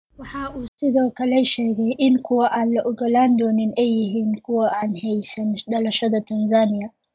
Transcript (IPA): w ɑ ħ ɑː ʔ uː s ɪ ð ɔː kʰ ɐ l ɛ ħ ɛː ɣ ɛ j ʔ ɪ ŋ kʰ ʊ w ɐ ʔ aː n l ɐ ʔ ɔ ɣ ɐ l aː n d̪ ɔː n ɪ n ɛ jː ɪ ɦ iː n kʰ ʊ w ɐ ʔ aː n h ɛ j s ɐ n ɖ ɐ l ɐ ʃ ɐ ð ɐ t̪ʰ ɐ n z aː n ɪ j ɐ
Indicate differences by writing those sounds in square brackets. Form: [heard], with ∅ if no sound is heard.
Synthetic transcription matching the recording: w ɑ ħ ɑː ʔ uː s ɪ ð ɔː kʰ ɐ l ɛ [ʃ] ɛː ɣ ɛ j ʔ ɪ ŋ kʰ ʊ w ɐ ʔ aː n l ɐ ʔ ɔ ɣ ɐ l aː n d̪ ɔː n ɪ n ɛ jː ɪ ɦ iː n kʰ ʊ w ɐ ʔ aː n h ɛ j s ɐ n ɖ ɐ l ɐ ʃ ɐ ð ɐ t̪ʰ ɐ n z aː n ɪ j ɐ